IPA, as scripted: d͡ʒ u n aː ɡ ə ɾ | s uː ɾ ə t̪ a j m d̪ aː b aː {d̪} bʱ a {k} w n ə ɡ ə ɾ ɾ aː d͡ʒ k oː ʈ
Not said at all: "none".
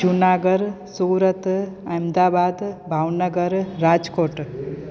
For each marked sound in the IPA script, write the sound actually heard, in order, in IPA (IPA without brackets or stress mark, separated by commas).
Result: d̪, none